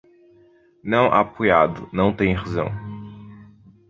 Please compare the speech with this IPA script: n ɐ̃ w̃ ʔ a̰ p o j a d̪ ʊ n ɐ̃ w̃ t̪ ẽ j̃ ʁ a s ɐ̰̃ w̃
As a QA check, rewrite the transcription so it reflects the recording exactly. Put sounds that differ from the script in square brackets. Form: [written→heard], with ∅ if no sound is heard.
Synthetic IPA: n ɐ̃ w̃ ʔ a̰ p o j a d̪ ʊ n ɐ̃ w̃ t̪ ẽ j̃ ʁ a [s→z] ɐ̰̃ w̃